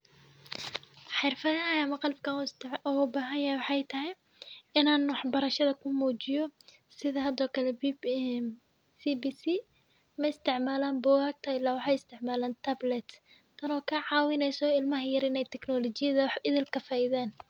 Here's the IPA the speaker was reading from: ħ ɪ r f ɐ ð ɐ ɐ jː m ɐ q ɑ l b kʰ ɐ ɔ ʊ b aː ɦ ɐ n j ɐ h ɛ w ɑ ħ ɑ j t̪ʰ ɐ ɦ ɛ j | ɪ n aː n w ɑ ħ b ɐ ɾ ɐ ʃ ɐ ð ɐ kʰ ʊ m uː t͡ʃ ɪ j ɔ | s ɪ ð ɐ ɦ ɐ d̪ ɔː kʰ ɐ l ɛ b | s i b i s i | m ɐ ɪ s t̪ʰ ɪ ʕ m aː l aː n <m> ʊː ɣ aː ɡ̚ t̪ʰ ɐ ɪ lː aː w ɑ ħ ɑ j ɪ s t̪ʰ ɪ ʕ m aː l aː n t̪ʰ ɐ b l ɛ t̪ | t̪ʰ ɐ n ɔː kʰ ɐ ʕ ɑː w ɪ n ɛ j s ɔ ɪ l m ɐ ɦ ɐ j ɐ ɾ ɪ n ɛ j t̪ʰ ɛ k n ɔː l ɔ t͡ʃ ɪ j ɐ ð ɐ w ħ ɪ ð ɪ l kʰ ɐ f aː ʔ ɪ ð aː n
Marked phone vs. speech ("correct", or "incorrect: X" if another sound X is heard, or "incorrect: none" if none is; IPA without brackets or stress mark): incorrect: b